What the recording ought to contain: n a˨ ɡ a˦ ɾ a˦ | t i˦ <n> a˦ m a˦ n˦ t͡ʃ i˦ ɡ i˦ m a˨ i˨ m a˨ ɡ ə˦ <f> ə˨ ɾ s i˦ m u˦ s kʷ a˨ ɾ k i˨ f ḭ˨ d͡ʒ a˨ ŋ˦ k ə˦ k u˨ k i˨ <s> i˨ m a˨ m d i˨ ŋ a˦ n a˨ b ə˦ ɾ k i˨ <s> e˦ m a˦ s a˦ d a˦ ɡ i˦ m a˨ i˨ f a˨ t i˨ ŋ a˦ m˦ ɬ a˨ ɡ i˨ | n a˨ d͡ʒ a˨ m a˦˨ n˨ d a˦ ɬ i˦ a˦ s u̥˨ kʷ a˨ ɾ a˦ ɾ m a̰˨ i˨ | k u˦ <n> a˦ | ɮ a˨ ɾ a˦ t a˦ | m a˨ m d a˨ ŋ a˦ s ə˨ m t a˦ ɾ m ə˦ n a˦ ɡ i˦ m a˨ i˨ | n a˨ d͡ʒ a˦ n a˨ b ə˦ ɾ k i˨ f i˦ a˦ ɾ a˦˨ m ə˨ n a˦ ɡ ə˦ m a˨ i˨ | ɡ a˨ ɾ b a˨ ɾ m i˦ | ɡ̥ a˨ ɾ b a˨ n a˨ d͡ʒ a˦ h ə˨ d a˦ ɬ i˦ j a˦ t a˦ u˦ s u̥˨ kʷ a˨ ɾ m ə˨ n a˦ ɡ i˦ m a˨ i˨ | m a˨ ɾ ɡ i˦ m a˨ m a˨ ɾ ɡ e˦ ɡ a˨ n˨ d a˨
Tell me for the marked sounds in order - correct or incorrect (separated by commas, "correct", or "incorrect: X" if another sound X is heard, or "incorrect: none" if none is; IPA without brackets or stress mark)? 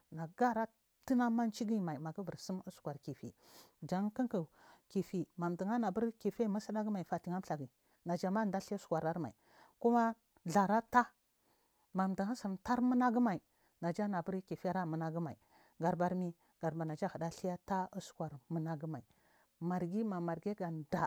correct, incorrect: v, incorrect: f, incorrect: f, incorrect: m